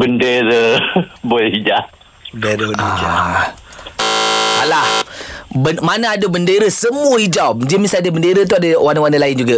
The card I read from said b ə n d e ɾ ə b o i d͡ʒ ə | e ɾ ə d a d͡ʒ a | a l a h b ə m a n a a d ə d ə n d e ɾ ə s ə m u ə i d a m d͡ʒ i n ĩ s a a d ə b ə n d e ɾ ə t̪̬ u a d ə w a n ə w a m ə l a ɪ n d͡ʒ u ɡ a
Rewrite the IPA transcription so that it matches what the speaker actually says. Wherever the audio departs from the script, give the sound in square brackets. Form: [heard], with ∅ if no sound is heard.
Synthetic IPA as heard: b ə n d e ɾ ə b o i d͡ʒ [a] | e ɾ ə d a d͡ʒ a | a l a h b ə m a n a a d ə [b] ə n d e ɾ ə s ə m u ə i [d͡ʒ] a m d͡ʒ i [m] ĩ s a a d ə b ə n d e ɾ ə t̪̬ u a d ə w a n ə w a [n] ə l a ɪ n d͡ʒ u ɡ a